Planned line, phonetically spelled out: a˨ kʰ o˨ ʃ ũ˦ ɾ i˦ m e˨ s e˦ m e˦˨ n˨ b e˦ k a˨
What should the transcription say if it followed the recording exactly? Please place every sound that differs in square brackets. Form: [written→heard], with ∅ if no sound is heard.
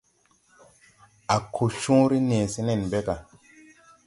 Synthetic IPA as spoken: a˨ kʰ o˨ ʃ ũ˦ ɾ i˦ [m→n] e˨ s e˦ [m→n] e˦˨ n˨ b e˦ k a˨